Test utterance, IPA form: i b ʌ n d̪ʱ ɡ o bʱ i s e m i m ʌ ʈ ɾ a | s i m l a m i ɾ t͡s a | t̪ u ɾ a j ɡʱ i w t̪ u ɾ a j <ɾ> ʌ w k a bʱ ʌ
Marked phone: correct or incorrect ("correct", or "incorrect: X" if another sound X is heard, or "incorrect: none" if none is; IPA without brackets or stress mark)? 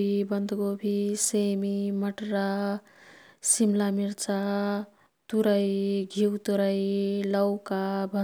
incorrect: l